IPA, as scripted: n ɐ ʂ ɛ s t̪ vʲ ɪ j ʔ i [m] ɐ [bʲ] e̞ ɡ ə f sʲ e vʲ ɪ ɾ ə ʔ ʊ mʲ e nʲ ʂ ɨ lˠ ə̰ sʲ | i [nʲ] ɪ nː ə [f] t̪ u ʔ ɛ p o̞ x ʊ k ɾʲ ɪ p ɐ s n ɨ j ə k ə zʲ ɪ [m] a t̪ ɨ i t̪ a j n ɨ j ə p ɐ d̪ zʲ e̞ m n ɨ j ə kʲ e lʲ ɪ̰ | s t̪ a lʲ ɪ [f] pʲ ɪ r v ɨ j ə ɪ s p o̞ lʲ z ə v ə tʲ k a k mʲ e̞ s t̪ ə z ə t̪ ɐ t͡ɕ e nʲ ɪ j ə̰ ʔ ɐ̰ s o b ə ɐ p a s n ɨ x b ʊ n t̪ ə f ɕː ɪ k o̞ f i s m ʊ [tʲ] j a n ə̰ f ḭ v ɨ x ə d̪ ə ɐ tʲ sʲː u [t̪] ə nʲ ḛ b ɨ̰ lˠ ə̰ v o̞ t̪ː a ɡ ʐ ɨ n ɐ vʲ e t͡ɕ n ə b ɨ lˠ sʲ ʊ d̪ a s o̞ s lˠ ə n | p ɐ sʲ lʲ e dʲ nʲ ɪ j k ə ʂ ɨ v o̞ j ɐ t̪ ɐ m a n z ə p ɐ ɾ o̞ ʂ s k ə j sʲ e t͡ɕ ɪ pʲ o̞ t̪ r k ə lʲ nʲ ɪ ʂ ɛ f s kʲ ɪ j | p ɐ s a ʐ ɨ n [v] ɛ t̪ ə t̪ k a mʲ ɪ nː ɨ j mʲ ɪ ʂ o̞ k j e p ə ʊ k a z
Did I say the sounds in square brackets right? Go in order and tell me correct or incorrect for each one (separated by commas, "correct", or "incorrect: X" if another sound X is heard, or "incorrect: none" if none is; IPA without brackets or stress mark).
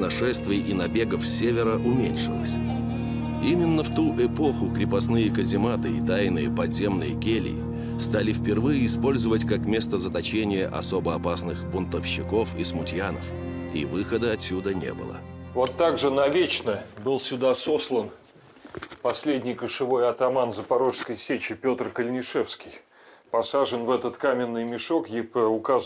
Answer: incorrect: n, correct, incorrect: mʲ, correct, correct, correct, correct, incorrect: d̪, correct